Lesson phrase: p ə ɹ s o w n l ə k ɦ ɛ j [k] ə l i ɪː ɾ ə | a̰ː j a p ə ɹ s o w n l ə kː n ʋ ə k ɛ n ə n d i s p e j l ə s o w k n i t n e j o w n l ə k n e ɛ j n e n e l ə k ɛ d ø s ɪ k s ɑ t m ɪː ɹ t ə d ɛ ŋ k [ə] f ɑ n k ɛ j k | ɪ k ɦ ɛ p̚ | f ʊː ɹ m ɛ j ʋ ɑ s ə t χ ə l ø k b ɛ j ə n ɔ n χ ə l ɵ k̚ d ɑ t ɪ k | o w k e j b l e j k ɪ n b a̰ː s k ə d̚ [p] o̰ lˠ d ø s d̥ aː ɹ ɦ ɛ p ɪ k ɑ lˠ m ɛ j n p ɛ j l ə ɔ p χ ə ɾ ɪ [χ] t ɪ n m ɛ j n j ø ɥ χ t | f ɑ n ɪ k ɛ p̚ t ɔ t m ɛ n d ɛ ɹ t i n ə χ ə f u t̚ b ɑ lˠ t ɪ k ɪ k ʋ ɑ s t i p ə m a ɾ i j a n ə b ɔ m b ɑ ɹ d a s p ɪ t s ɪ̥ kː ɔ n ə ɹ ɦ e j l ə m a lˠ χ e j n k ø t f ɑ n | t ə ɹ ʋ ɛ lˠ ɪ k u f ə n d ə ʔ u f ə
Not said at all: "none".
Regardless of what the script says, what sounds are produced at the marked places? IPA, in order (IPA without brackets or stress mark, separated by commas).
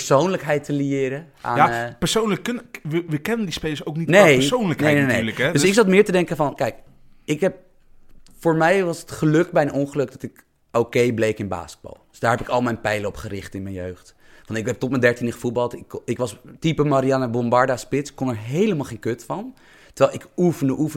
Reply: t, ə, b, χ